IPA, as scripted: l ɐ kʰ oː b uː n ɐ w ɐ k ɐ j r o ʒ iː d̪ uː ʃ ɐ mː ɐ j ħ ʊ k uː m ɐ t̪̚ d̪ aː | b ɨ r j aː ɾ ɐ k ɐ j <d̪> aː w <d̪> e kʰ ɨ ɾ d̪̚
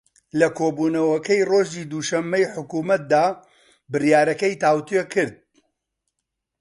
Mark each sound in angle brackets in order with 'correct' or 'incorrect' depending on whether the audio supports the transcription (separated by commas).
incorrect, incorrect